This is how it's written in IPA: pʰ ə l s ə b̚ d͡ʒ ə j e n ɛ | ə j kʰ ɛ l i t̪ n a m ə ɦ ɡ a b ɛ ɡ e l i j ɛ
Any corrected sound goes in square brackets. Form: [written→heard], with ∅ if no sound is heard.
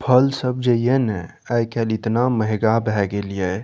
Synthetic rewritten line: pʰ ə l s ə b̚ d͡ʒ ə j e n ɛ | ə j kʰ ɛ l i t̪ n a m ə ɦ ɡ a b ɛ ɡ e l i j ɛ